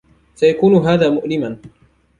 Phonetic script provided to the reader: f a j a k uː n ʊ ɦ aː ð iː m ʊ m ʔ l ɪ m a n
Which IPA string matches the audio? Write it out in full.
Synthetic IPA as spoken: s a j a k uː n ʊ ɦ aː ð aː m ʊ ʔ l ɪ m a n